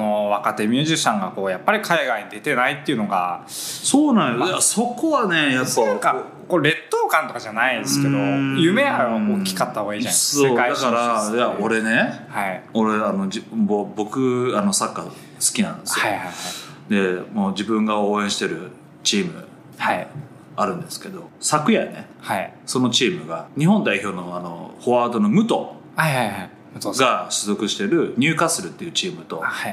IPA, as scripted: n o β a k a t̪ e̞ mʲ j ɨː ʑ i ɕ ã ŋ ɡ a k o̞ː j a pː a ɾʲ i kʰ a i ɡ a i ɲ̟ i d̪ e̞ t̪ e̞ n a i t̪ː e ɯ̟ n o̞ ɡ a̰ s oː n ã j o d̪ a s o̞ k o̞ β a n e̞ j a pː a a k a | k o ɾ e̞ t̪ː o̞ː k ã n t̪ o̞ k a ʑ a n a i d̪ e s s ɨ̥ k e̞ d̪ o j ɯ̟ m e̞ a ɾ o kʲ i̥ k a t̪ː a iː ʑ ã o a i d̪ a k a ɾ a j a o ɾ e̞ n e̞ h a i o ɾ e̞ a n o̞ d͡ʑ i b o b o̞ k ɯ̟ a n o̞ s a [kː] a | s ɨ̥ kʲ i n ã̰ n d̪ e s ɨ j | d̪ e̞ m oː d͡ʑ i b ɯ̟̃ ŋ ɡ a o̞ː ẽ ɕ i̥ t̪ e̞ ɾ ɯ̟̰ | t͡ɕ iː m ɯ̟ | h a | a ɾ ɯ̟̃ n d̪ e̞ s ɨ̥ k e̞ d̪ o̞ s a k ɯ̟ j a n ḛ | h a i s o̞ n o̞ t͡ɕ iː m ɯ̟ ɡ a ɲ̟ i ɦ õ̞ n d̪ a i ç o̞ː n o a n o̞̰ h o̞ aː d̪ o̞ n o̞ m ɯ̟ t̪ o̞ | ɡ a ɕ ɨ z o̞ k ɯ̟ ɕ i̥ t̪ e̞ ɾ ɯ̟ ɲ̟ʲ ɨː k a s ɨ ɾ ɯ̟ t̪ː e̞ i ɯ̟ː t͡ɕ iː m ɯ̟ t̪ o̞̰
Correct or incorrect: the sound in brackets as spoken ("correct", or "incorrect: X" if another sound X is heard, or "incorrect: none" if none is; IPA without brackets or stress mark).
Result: correct